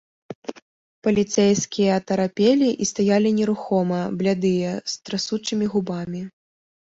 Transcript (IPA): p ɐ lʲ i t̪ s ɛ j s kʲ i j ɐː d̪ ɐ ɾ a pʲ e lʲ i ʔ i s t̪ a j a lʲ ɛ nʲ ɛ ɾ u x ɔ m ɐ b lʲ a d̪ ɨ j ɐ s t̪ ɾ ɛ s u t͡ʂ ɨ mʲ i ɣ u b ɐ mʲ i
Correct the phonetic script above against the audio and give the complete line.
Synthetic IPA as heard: p ɐ lʲ i t̪ s ɛ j s kʲ i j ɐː t̪ ɐ ɾ a pʲ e lʲ i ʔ i s t̪ a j a lʲ i nʲ ɛ ɾ u x ɔ m ɐ b lʲ a d̪ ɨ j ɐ s t̪ ɾ a s u t͡ʂ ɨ mʲ i ɣ u b a mʲ i

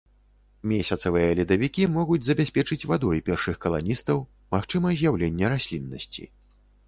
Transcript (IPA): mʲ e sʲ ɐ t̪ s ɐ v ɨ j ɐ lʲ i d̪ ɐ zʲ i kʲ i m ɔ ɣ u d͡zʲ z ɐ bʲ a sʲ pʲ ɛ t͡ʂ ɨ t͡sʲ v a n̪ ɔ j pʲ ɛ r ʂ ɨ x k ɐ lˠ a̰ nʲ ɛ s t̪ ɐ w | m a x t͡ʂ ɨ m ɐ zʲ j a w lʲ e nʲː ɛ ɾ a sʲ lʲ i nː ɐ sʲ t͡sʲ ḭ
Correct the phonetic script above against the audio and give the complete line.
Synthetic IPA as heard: mʲ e sʲ ɐ t̪ s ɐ v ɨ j ɐ lʲ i d̪ ɐ vʲ i kʲ i m ɔ ɣ u d͡zʲ z ɐ bʲ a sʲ pʲ ɛ t͡ʂ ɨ t͡sʲ v a d̪ ɔ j pʲ ɛ r ʂ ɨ x k ɐ lˠ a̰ nʲ i s t̪ ɐ w | m a x t͡ʂ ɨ m ɐ zʲ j a w lʲ e nʲː ɛ ɾ a sʲ lʲ i nː ɐ sʲ t͡sʲ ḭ

